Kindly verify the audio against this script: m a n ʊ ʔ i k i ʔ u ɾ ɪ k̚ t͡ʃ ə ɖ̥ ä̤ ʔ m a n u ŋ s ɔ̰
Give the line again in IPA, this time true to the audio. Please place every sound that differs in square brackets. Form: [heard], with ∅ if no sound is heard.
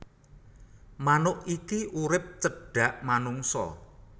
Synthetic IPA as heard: m a n ʊ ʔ i k i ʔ u ɾ ɪ [p̚] t͡ʃ ə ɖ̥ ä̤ ʔ m a n u ŋ s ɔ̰